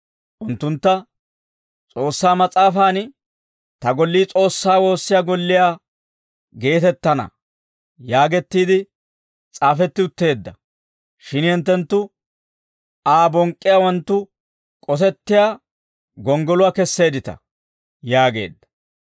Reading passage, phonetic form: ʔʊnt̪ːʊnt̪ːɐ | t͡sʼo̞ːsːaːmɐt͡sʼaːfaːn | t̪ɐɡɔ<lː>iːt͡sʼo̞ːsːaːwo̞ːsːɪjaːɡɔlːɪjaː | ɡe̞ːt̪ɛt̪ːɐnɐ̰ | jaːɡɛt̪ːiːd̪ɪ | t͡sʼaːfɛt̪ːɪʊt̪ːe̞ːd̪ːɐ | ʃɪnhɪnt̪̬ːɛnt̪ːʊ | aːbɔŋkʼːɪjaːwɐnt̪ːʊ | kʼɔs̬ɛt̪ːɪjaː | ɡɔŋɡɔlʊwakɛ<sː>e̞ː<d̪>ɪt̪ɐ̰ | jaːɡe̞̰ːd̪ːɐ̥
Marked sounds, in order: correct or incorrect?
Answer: correct, correct, correct

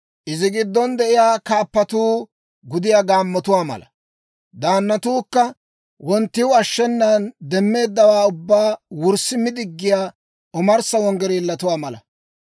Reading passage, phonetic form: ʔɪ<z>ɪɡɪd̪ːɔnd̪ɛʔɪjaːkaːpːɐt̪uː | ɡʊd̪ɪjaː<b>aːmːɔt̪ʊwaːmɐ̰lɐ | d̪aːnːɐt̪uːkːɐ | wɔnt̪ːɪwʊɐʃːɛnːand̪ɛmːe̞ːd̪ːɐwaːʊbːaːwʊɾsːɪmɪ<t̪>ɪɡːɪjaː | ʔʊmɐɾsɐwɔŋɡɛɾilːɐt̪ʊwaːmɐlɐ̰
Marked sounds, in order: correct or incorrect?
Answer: correct, incorrect: ɡ, incorrect: d̪

